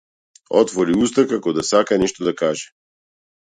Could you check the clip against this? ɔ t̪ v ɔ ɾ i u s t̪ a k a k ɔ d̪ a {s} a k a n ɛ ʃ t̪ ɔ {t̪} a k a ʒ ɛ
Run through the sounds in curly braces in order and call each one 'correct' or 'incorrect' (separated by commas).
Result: correct, incorrect